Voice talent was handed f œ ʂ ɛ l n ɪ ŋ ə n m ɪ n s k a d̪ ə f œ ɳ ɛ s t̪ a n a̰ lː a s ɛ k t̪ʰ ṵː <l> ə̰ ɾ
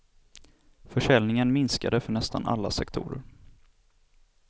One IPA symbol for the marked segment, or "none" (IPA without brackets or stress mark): ɾ